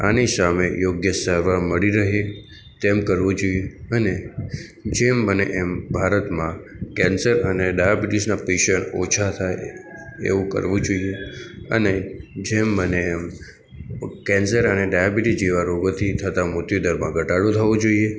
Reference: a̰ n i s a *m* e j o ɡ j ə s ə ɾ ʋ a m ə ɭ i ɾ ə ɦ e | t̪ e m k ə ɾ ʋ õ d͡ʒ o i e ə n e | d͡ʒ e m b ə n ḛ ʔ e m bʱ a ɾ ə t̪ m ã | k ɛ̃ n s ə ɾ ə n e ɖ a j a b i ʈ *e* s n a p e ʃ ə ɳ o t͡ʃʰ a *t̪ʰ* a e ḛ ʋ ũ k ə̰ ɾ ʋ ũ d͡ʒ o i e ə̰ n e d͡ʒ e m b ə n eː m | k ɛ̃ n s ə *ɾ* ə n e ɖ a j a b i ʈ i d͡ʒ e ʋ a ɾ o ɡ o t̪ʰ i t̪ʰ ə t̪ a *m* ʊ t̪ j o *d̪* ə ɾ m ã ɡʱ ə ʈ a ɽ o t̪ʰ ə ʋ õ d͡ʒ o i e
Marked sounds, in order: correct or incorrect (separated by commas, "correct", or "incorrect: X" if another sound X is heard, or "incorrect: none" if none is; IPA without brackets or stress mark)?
correct, incorrect: i, correct, correct, correct, correct